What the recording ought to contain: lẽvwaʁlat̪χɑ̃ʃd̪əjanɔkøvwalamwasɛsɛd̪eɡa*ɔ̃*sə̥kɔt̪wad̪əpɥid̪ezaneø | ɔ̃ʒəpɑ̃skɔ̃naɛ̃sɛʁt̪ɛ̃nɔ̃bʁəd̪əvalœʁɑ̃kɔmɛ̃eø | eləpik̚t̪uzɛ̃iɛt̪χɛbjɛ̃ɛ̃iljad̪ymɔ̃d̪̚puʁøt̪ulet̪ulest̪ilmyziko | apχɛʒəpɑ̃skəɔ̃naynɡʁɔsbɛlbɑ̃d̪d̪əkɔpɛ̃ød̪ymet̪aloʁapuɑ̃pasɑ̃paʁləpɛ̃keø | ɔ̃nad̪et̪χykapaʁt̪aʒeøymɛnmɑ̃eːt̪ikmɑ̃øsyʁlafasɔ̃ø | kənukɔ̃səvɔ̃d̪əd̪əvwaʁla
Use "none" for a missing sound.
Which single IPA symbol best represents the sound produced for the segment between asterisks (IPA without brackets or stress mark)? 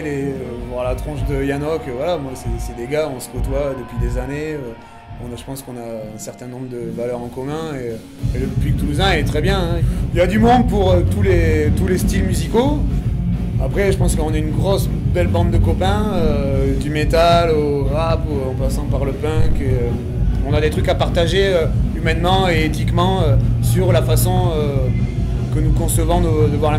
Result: ɔ̃